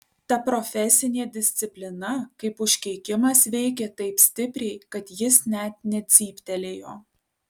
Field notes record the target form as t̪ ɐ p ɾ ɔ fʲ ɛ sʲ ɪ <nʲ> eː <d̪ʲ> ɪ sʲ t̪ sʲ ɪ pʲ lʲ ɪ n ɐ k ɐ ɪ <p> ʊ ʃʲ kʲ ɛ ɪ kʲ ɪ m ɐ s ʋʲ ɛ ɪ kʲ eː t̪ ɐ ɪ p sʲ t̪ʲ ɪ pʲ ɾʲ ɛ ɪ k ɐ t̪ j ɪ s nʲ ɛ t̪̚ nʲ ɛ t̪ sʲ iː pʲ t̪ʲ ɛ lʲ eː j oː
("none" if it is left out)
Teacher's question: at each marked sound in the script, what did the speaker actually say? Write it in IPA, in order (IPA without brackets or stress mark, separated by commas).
nʲ, d̪ʲ, p